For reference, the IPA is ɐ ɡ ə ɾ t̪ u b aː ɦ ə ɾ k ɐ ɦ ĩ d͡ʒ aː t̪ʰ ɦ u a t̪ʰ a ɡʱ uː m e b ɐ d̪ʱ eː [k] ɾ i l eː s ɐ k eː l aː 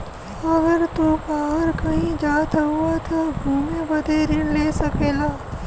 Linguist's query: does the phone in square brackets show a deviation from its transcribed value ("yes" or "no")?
yes